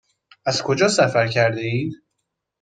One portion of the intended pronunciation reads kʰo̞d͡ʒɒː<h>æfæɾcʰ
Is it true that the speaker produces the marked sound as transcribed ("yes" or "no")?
no